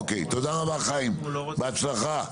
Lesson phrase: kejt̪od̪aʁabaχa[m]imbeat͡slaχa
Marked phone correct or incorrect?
incorrect